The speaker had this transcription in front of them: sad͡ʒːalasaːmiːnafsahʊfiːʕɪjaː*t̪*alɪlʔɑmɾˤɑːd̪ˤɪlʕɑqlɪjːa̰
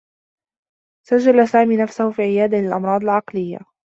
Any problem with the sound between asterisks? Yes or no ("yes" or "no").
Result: yes